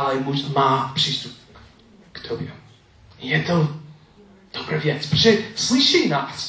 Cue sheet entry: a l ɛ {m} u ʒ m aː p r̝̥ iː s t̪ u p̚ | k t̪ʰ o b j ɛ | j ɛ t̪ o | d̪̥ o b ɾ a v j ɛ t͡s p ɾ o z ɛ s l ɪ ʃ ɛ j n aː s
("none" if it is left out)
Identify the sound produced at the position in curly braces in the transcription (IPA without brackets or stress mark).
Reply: m